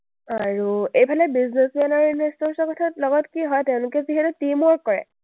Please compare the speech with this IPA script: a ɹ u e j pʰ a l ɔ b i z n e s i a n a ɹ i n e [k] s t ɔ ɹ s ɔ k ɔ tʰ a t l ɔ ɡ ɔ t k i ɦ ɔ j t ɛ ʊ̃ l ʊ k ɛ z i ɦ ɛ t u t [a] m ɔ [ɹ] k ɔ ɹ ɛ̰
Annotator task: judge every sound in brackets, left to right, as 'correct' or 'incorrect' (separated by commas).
incorrect, incorrect, correct